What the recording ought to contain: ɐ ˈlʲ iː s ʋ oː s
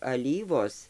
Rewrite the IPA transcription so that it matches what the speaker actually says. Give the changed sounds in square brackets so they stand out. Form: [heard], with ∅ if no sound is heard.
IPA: ɐ ˈlʲ iː [∅] ʋ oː s